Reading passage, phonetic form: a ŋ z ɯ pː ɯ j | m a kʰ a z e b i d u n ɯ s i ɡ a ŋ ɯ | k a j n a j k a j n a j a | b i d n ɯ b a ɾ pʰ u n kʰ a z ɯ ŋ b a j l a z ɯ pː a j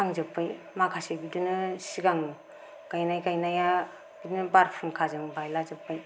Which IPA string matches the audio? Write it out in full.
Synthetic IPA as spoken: a ŋ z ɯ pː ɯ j | m a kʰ a s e b i d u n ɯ s i ɡ a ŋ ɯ | k a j n a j k a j n a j a | b i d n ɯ b a ɾ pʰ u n kʰ a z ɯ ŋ b a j l a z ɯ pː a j